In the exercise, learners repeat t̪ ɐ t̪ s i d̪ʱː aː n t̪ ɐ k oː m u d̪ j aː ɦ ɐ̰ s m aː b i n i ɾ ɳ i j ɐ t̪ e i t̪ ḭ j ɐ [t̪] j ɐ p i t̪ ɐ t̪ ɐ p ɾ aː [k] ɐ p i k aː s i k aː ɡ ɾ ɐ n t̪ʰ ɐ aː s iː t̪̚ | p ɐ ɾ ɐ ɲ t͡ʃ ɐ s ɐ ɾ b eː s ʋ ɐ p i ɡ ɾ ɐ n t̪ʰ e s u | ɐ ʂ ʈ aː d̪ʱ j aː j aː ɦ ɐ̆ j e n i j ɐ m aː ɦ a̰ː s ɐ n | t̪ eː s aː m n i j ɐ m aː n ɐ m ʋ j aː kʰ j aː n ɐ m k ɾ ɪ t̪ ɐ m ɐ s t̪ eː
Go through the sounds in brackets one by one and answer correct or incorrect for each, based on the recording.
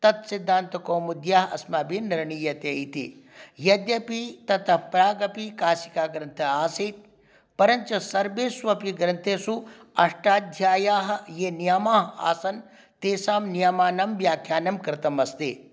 incorrect: d̪, incorrect: ɡ

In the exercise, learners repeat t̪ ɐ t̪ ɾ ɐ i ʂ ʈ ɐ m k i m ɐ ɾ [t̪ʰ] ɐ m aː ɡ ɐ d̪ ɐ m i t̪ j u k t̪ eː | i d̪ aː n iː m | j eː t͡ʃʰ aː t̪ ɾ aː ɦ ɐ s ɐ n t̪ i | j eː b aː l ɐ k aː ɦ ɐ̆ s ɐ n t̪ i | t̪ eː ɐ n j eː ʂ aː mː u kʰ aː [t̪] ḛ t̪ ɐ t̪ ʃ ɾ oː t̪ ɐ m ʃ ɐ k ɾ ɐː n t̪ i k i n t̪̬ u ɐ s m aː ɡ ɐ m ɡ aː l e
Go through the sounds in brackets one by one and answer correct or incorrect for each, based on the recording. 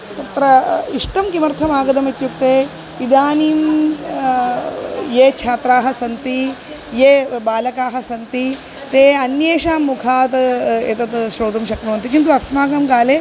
correct, correct

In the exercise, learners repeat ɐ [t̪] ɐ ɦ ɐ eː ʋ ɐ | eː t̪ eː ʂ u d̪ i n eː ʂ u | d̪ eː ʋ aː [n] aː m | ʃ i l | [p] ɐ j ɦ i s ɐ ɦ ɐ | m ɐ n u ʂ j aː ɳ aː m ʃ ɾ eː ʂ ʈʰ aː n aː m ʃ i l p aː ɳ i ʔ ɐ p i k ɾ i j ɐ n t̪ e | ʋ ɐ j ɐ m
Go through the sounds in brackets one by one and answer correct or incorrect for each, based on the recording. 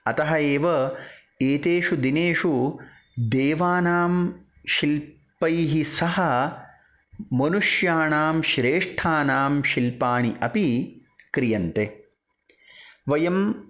correct, correct, correct

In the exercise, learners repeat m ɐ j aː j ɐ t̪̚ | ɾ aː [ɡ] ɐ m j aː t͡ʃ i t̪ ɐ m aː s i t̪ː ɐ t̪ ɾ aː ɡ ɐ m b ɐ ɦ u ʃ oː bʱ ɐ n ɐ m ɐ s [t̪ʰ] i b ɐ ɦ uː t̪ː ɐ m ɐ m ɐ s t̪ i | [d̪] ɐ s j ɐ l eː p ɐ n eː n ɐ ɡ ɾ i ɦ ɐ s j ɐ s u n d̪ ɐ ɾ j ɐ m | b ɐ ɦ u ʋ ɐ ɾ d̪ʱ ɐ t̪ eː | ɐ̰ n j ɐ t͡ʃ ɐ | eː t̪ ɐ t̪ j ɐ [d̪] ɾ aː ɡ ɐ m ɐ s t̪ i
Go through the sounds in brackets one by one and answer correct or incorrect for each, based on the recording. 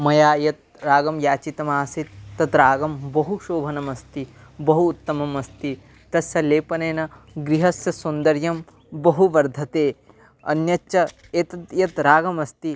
correct, incorrect: t̪, incorrect: t̪, incorrect: t̪

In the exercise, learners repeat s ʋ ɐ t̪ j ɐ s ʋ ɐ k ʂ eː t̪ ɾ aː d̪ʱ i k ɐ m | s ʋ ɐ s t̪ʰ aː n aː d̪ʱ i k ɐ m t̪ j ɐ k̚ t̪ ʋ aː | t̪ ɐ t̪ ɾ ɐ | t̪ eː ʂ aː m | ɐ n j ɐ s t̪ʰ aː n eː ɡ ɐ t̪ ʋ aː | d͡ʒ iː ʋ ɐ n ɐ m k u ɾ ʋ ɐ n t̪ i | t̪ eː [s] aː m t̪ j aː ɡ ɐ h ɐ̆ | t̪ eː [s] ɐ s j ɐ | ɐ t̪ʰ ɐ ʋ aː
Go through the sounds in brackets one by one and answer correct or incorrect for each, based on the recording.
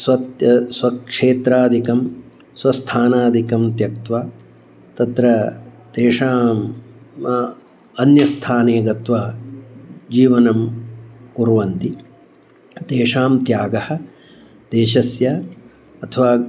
incorrect: ʂ, incorrect: ʃ

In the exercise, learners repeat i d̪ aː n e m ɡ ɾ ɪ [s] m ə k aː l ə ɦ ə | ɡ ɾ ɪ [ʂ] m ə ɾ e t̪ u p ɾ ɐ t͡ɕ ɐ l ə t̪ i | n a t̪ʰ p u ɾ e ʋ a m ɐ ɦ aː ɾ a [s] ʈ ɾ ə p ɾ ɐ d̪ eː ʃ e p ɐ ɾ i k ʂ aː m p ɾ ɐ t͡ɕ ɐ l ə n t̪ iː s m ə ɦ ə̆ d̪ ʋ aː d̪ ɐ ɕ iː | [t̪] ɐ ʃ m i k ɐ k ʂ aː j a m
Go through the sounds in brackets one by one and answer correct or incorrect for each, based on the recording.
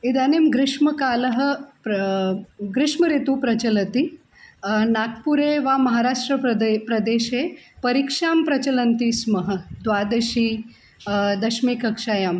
incorrect: ʂ, correct, incorrect: ʂ, incorrect: d̪

